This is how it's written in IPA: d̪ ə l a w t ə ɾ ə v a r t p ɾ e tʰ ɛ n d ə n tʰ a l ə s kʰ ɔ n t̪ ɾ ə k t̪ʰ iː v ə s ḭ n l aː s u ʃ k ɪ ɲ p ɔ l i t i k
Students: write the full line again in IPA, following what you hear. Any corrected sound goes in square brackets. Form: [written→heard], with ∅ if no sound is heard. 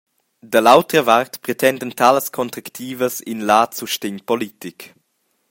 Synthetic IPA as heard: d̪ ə l a w t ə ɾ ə v a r t p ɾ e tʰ ɛ n d ə n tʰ a l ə s kʰ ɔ n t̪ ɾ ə k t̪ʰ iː v ə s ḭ n l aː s u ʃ [k→t] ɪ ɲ p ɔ l i t i k